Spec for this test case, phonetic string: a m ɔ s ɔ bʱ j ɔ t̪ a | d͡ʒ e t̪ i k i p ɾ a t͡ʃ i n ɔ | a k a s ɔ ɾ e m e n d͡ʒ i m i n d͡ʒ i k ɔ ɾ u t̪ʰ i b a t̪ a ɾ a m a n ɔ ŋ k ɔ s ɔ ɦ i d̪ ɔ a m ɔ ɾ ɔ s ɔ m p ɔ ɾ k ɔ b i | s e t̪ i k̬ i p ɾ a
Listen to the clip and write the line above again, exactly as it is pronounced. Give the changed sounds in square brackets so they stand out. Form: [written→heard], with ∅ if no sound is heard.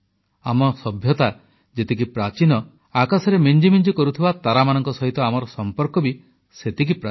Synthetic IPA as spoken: a m ɔ s ɔ bʱ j ɔ t̪ a | d͡ʒ e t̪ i k i p ɾ a t͡ʃ i n ɔ | a k a s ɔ ɾ e m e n d͡ʒ i m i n d͡ʒ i k ɔ ɾ u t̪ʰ i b a t̪ a ɾ a m a n ɔ ŋ k ɔ s ɔ ɦ i [d̪→t̪] ɔ a m ɔ ɾ ɔ s ɔ m p ɔ ɾ k ɔ b i | s e t̪ i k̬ i p ɾ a